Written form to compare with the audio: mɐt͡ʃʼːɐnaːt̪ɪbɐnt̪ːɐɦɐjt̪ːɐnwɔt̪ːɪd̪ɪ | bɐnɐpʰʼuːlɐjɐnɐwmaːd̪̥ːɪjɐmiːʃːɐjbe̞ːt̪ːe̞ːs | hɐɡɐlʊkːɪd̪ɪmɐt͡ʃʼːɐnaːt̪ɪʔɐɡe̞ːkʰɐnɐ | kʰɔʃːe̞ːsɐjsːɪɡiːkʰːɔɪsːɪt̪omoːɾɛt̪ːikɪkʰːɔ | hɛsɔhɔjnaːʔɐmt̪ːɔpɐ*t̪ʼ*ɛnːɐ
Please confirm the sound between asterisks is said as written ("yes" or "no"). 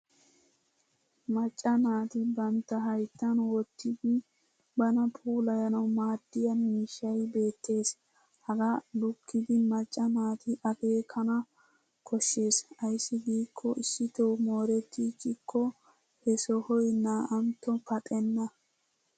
yes